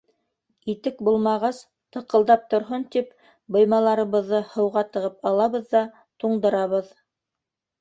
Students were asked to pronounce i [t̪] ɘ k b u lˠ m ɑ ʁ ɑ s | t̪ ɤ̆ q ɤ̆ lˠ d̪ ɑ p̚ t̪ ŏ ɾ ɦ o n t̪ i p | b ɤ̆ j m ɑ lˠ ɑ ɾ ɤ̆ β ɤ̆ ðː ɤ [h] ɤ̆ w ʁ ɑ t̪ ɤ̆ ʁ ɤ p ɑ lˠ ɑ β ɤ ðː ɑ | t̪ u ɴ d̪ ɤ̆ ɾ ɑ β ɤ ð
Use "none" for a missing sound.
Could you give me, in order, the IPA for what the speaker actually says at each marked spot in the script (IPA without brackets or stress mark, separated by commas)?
t̪, h